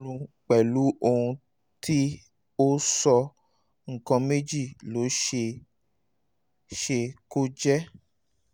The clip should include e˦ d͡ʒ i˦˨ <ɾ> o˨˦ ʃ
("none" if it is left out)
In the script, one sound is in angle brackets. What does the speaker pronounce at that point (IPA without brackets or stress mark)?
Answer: l